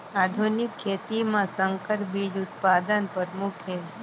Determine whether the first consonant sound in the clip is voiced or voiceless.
voiced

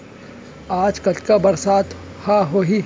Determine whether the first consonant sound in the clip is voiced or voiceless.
voiced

